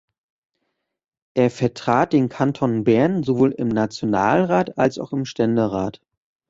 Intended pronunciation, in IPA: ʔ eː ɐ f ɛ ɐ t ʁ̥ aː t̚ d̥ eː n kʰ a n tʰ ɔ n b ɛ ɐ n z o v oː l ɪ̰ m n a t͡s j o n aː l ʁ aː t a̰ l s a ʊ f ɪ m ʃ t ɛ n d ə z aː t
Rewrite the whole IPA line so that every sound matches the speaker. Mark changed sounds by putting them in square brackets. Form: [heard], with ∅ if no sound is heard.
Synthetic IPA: ʔ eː ɐ f ɛ ɐ t ʁ̥ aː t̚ d̥ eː n kʰ a n tʰ ɔ n b ɛ ɐ n z o v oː l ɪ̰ m n a t͡s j o n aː l ʁ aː t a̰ l s a ʊ [x] ɪ m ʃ t ɛ n d ə [ʁ] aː t